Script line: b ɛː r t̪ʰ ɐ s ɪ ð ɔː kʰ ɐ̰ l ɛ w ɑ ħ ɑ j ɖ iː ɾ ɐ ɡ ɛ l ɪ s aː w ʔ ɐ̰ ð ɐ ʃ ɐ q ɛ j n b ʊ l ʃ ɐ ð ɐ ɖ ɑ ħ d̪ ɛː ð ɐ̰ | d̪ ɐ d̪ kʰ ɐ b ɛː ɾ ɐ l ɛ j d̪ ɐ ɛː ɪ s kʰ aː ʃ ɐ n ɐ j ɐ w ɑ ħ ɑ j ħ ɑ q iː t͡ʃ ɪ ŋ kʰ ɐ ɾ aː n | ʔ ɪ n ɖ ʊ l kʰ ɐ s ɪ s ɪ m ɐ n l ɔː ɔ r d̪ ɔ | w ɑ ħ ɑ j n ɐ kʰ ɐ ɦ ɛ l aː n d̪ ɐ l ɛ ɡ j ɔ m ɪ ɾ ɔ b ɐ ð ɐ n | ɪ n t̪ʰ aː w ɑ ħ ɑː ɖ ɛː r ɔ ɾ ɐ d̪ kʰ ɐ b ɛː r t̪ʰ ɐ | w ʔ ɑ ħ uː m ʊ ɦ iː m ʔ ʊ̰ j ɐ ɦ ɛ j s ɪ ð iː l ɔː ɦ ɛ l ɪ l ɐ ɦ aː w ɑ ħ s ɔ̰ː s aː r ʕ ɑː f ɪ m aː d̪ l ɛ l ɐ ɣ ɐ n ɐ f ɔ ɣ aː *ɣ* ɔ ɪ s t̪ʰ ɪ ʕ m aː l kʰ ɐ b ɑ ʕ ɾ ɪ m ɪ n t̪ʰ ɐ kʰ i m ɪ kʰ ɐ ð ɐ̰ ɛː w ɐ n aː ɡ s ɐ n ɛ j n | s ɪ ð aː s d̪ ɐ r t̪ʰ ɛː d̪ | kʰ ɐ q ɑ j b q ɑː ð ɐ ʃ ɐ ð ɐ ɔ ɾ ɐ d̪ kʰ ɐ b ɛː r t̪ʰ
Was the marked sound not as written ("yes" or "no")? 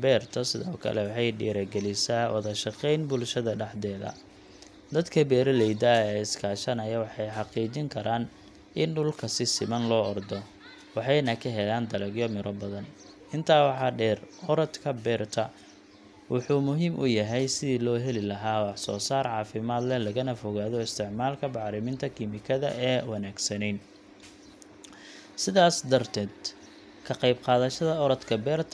yes